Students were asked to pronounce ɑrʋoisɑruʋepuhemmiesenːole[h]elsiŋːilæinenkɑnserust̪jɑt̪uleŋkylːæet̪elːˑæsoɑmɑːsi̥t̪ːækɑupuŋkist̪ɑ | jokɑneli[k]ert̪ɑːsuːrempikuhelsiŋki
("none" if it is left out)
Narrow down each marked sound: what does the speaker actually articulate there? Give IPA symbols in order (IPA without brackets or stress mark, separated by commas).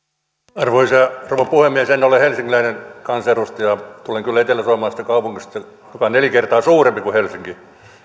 h, k